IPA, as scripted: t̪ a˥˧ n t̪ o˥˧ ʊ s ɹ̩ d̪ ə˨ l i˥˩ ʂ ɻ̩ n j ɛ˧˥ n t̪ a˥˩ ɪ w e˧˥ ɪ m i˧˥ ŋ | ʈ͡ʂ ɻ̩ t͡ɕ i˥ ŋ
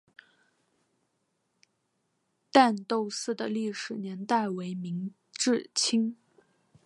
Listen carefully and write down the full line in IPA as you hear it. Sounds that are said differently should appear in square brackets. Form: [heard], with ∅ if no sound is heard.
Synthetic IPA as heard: t̪ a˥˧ n t̪ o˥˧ ʊ s ɹ̩ d̪ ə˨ l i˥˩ ʂ ɻ̩ n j ɛ˧˥ n t̪ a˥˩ ɪ w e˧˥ ɪ m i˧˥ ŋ | ʈ͡ʂ ɻ̩ [t͡ɕʰ] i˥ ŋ